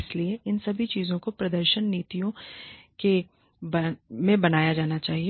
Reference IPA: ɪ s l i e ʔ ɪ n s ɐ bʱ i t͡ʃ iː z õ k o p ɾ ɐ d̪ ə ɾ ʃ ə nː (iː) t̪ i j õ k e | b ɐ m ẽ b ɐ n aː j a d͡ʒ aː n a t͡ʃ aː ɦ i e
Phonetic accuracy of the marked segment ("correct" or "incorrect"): correct